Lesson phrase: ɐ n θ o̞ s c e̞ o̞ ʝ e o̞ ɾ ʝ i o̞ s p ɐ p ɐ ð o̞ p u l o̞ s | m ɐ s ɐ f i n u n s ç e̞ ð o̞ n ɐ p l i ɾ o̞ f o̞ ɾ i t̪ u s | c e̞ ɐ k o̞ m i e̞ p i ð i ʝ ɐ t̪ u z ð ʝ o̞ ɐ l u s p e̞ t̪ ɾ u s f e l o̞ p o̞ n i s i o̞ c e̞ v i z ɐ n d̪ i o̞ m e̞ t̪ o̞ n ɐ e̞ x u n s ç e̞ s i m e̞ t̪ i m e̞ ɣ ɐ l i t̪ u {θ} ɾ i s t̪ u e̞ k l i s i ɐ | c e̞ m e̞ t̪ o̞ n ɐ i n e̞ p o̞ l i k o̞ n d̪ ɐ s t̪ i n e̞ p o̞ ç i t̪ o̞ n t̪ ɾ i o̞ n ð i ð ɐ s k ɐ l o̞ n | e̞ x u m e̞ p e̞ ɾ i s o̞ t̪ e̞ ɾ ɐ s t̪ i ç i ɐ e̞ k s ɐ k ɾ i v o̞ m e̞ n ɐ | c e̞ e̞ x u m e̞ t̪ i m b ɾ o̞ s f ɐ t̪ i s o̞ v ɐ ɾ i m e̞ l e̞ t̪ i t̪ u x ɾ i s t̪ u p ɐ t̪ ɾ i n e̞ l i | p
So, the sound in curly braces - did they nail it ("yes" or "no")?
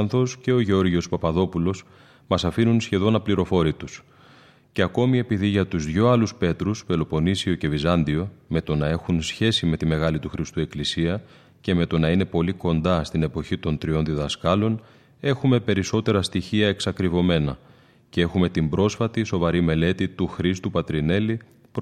no